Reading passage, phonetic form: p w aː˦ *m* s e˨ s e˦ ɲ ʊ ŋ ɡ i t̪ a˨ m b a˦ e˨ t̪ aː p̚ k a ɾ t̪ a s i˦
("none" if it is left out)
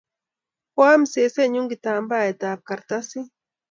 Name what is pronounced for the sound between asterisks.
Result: m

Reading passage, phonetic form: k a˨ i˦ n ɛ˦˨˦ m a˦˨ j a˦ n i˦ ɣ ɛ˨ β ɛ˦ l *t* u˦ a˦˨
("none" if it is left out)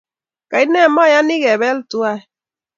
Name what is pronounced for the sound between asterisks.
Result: t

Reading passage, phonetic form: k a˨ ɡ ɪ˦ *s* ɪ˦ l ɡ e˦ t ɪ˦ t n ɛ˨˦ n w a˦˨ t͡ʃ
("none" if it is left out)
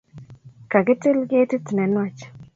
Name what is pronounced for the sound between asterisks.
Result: t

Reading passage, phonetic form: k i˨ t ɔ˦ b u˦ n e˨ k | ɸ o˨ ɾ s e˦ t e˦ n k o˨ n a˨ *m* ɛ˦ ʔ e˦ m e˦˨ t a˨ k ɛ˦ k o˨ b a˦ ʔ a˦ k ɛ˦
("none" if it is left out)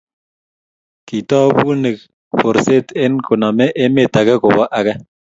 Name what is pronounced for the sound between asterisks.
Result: m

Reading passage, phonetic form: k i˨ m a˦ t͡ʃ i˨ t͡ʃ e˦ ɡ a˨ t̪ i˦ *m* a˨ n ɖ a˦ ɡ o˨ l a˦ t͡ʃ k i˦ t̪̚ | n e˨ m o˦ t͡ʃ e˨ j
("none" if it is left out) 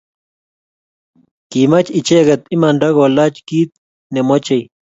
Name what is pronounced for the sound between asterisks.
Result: m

